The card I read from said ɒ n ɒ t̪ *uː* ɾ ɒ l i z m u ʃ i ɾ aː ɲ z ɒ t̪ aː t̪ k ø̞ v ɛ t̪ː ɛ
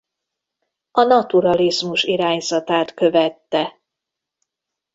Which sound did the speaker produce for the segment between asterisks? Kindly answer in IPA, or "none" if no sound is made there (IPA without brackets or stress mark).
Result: u